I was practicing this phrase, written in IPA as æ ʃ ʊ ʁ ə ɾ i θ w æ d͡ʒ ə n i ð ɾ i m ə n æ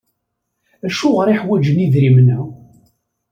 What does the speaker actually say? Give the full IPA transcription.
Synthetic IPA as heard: æ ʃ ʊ ʁ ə ɾ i ħ w æ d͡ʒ ə n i ð ɾ i m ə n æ